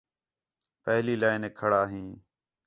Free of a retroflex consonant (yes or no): no